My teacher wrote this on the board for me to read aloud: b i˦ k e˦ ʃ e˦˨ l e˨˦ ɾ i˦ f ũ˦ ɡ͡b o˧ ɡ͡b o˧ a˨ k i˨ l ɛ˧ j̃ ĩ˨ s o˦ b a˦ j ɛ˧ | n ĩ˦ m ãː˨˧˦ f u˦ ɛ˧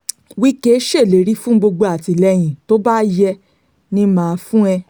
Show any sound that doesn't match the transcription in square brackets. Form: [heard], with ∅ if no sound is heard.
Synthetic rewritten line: [w] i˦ k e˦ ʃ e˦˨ l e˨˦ ɾ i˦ f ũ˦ ɡ͡b o˧ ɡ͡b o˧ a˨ [t] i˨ l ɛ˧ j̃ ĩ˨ [t] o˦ b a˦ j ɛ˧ | n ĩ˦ m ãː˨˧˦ f [ũ˦] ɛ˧